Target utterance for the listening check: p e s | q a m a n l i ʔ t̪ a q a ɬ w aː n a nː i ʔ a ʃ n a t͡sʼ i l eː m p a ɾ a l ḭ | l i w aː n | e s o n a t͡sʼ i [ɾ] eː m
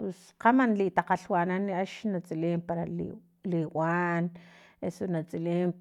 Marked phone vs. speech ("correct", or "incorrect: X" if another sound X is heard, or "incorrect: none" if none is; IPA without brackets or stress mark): incorrect: l